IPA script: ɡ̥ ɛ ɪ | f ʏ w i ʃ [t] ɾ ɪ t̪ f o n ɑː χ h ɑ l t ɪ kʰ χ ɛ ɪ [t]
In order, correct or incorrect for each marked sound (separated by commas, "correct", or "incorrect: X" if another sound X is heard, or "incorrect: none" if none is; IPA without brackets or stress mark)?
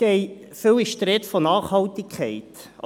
correct, correct